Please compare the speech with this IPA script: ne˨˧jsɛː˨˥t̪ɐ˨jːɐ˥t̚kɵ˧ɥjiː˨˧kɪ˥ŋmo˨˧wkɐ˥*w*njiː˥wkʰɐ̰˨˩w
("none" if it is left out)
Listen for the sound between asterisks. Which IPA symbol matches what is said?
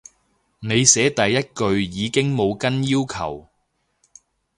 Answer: none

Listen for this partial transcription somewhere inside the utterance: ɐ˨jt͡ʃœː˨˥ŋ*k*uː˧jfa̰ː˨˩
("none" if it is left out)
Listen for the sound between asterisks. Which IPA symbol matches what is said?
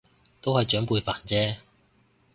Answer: p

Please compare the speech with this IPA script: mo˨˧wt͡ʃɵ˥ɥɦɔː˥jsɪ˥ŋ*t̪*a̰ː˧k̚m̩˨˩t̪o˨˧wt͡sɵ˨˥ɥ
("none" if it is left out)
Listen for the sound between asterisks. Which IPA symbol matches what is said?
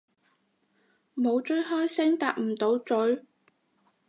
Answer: t̪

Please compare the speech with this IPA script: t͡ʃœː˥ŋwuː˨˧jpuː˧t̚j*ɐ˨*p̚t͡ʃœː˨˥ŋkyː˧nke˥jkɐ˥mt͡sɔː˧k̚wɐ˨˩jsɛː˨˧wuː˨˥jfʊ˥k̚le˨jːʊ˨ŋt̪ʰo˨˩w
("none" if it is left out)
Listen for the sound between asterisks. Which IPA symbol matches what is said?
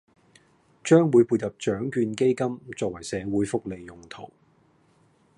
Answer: ɐ˨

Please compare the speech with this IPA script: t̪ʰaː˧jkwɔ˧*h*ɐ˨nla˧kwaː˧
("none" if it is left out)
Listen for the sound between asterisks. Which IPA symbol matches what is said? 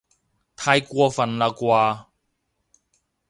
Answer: f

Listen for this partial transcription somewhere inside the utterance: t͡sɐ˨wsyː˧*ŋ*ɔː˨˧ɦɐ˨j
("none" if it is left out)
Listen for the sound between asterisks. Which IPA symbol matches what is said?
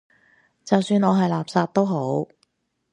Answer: n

